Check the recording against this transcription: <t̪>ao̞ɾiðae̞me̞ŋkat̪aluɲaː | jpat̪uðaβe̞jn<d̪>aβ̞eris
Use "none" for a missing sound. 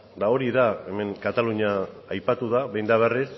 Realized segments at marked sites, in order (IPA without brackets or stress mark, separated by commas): d̪, d̪